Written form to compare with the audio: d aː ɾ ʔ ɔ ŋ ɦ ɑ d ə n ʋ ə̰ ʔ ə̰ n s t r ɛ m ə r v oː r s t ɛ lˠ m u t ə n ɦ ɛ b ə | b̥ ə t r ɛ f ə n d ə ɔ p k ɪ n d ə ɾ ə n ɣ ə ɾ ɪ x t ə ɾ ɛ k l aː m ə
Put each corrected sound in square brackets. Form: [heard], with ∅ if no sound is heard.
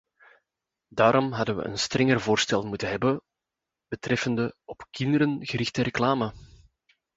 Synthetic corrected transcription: d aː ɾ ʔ ɔ [m] ɦ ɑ d ə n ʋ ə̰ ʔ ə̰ n s t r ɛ [ŋ] ə r v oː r s t ɛ lˠ m u t ə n ɦ ɛ b ə | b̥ ə t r ɛ f ə n d ə ɔ p k ɪ n d ə ɾ ə n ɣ ə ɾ ɪ x t ə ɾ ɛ k l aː m ə